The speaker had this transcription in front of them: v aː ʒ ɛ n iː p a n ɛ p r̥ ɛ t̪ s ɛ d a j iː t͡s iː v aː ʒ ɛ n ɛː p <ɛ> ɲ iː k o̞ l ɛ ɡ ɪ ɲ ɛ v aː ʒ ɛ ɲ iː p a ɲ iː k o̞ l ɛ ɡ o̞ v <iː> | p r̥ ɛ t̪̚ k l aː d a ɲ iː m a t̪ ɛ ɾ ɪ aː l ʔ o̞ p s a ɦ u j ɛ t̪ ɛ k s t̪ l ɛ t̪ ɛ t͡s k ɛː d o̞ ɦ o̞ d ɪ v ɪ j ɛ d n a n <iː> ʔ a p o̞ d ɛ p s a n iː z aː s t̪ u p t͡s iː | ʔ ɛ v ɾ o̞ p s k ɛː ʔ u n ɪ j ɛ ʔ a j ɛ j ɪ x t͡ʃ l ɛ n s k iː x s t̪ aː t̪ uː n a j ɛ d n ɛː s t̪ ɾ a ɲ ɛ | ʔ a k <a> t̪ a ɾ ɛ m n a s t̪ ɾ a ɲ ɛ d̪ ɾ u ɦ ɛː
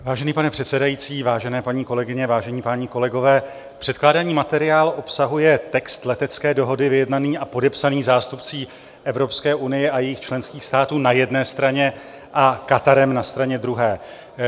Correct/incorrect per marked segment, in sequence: incorrect, incorrect, correct, correct

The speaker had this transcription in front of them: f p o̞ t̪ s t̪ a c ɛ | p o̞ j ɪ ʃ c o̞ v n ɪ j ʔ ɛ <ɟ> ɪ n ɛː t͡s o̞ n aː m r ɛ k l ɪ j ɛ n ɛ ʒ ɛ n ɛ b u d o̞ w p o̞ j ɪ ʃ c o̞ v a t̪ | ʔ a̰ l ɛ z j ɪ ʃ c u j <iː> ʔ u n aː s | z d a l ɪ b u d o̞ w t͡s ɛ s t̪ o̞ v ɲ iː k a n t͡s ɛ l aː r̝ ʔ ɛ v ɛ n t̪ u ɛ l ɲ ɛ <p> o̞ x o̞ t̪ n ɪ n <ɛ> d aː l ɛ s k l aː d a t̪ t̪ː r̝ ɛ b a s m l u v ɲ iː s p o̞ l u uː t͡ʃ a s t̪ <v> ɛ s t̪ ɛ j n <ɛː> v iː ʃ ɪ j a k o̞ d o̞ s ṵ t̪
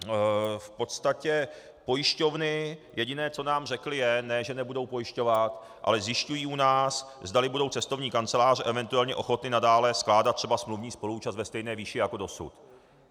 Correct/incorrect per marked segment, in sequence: correct, correct, incorrect, incorrect, correct, correct

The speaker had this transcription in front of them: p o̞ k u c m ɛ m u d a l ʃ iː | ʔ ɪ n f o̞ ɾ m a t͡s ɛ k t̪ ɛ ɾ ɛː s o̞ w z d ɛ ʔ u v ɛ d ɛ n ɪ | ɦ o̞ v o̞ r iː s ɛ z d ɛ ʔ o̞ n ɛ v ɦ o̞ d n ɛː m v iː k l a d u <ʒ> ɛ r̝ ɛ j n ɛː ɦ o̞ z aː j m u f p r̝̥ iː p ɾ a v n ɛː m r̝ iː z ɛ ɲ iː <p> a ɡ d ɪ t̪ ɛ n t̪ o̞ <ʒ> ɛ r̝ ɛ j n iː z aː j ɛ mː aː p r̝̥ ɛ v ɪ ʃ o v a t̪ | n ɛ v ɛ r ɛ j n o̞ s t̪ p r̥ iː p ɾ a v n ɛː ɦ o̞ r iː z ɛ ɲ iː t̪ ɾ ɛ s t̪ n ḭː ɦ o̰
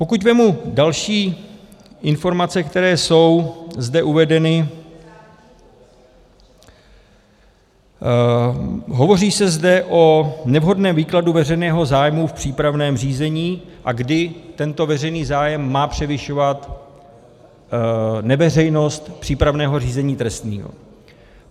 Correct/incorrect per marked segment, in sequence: incorrect, incorrect, incorrect

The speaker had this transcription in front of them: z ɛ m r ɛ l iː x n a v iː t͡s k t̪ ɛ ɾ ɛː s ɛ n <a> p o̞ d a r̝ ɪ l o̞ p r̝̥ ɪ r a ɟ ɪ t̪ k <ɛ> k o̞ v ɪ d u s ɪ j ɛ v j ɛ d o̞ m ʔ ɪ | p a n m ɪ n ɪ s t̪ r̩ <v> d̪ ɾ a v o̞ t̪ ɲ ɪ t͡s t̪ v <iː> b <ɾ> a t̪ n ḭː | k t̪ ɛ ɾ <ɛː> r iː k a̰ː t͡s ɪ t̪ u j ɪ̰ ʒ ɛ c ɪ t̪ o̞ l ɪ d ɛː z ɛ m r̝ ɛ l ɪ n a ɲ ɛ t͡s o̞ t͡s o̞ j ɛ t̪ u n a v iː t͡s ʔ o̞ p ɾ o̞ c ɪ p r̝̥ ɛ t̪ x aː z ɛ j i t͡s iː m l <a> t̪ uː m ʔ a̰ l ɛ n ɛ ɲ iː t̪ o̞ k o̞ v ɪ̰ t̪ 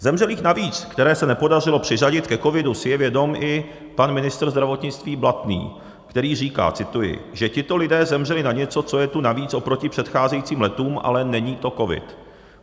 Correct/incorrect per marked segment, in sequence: incorrect, correct, incorrect, correct, incorrect, incorrect, incorrect

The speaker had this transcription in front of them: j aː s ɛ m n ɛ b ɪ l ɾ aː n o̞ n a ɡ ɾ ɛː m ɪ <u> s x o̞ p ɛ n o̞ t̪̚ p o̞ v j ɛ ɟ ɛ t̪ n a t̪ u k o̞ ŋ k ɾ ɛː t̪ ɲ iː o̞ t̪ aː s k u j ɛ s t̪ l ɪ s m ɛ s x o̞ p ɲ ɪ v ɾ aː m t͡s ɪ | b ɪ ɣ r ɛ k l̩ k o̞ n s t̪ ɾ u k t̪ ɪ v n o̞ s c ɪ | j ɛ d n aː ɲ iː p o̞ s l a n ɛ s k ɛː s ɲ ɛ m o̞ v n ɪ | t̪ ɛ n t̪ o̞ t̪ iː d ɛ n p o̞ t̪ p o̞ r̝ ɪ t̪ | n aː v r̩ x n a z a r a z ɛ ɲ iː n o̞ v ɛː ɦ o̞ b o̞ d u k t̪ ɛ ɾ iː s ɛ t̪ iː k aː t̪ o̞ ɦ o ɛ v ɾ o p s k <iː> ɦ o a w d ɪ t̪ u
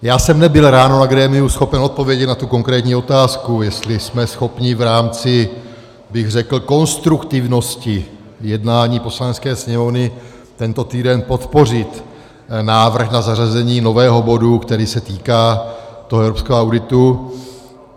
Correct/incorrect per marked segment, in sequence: correct, incorrect

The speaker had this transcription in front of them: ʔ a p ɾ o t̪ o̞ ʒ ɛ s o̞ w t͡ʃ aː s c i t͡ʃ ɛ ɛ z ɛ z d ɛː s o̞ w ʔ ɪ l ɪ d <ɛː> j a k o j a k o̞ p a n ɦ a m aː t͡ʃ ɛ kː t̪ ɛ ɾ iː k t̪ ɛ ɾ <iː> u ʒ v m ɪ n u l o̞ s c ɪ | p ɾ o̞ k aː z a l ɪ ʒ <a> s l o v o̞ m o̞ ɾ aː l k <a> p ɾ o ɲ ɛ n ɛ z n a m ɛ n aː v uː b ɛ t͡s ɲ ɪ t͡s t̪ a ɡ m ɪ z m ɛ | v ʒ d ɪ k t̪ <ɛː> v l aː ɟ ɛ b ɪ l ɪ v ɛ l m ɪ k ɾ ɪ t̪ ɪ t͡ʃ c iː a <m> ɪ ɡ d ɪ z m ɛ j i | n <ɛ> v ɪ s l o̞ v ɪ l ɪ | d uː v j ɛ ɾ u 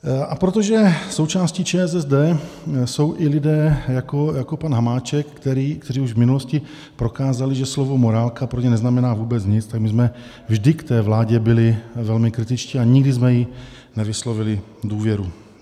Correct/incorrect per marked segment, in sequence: correct, correct, incorrect, correct, correct, incorrect, correct

